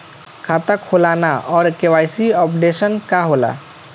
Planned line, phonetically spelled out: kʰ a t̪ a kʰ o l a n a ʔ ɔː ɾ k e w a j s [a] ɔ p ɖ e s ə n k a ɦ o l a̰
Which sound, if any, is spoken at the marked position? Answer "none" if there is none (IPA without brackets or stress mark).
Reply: i